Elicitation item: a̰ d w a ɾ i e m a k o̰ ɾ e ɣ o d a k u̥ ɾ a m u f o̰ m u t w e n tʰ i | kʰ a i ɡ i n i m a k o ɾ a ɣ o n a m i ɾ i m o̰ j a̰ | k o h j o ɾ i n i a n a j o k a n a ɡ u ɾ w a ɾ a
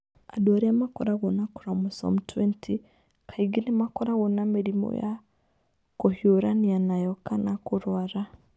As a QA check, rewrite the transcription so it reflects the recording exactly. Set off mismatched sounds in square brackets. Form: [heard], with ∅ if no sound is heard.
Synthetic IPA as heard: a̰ d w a ɾ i [a] m a k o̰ ɾ [a] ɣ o [n] a k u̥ ɾ a m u [s] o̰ m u t w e n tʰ i | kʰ a i ɡ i n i m a k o ɾ a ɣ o n a m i ɾ i m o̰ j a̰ | k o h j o ɾ [a] n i a n a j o k a n a [k] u ɾ w a ɾ a